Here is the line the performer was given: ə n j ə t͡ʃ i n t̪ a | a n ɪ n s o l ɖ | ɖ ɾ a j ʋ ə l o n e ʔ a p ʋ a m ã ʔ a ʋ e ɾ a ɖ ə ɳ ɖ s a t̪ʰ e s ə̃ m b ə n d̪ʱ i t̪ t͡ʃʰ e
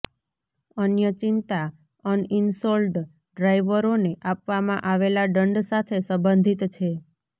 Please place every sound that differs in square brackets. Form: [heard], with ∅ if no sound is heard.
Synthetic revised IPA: ə n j ə t͡ʃ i n t̪ a | [ə] n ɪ n s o l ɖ | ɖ ɾ a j ʋ ə [ɾ] o n e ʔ a p ʋ a m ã ʔ a ʋ e [l] a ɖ ə ɳ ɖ s a t̪ʰ e s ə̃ m b ə n d̪ʱ i t̪ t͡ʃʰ e

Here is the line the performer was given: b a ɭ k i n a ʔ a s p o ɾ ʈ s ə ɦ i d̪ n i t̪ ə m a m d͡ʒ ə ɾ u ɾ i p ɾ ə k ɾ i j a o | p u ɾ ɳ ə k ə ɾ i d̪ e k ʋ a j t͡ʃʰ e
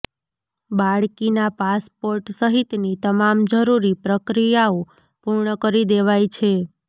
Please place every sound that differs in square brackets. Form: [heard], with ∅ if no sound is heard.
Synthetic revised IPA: b a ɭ k i n a [p] a s p o ɾ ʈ s ə ɦ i [t̪] n i t̪ ə m a m d͡ʒ ə ɾ u ɾ i p ɾ ə k ɾ i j a o | p u ɾ ɳ ə k ə ɾ i d̪ e [∅] ʋ a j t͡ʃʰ e

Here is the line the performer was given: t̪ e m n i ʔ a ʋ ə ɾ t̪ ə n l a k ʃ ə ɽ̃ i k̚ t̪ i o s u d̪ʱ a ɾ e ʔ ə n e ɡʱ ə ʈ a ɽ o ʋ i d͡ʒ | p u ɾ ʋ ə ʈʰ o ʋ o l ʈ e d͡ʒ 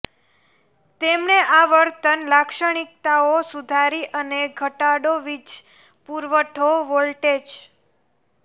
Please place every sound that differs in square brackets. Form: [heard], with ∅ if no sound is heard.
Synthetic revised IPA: t̪ e m n [e] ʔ a ʋ ə ɾ t̪ ə n l a k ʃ ə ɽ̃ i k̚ t̪ [a] o s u d̪ʱ a ɾ [i] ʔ ə n e ɡʱ ə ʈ a ɽ o ʋ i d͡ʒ | p u ɾ ʋ ə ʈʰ o ʋ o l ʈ e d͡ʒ

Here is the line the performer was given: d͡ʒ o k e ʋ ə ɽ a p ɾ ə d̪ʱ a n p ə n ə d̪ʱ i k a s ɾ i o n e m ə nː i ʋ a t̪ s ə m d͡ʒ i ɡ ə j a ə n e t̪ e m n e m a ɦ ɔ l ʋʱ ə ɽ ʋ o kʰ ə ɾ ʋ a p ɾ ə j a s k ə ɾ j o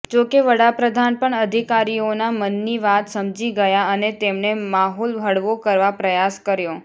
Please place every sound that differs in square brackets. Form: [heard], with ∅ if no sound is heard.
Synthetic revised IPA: d͡ʒ o k e ʋ ə ɽ a p ɾ ə d̪ʱ a n p ə [ɳ] ə d̪ʱ i k a [∅] ɾ i o n [a] m ə nː i ʋ a t̪ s ə m d͡ʒ i ɡ ə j a ə n e t̪ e m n e m a ɦ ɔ l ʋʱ ə ɽ ʋ o [k] ə ɾ ʋ a p ɾ ə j a s k ə ɾ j o

